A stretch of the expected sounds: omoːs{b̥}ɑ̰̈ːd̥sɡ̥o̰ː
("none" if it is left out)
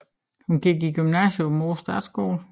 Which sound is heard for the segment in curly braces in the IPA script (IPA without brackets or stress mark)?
d̥